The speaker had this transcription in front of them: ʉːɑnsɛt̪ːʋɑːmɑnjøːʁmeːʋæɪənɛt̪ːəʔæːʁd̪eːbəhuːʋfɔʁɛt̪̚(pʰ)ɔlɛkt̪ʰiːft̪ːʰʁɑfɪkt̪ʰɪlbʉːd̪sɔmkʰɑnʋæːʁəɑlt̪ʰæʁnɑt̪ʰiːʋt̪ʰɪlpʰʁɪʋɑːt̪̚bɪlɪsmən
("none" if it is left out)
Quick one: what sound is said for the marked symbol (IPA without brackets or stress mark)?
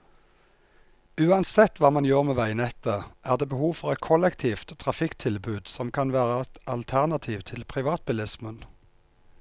kʰ